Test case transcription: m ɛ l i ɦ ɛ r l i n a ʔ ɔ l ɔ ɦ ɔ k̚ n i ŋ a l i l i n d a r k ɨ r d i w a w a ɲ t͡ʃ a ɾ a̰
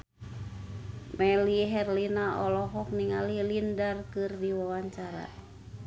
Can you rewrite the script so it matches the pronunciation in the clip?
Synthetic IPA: m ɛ l i ɦ ɛ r l i n a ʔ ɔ l ɔ ɦ ɔ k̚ n i ŋ a l i l i n d a r k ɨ r d i w a w a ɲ t͡ʃ a ɾ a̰